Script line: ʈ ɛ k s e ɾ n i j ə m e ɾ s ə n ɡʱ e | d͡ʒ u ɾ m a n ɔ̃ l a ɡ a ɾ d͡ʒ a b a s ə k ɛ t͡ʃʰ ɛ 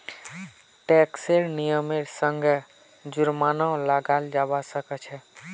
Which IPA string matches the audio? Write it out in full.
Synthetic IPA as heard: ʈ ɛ k s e ɾ n i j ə m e ɾ s ə ŋ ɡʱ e | d͡ʒ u ɾ m a n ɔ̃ l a ɡ a l d͡ʒ a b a s ə k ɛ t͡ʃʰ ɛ